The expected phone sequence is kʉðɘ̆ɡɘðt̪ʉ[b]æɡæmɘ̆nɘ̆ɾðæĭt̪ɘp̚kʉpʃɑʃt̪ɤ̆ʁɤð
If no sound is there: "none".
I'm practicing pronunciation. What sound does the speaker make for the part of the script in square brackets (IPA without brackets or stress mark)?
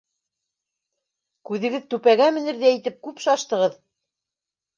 p